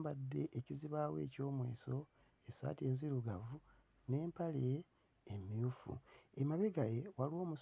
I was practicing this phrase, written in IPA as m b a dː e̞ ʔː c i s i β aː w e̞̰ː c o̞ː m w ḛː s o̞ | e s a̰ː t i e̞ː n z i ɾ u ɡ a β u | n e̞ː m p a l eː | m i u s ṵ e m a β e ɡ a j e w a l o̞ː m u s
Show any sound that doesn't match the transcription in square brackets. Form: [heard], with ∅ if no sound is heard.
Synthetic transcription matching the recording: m b a dː e̞ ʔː c i [z] i β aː w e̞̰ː c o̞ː m w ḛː s o̞ | e s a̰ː t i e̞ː n z i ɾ u ɡ a [v] u | n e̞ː m p a l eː | m i u [f] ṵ e m a β e ɡ a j e w a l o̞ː m u s